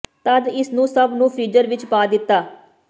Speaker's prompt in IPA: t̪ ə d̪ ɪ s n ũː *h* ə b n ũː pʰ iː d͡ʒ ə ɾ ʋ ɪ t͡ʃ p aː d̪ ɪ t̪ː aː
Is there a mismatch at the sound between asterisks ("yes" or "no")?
yes